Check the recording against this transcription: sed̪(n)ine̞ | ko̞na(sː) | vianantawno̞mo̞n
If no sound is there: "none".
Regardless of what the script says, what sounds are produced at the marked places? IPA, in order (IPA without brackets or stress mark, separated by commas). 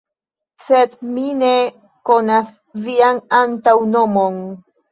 m, s